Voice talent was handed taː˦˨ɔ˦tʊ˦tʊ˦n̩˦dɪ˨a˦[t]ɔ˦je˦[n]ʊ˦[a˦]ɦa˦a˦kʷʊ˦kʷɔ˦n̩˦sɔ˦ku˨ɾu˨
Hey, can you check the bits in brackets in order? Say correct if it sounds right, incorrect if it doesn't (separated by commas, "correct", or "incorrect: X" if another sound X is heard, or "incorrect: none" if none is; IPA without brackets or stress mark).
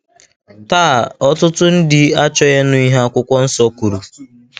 incorrect: t͡ʃ, correct, incorrect: i˦